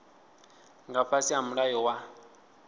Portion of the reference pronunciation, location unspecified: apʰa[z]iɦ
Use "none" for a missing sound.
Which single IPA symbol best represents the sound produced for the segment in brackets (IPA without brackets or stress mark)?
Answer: s